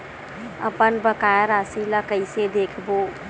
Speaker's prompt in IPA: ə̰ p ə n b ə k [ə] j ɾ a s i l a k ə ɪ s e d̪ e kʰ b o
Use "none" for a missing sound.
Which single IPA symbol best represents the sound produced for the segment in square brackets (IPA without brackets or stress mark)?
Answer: a